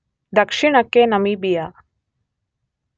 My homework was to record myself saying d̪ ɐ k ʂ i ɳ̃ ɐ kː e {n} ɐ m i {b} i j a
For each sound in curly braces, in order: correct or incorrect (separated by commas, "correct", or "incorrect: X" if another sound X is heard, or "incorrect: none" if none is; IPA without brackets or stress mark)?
correct, correct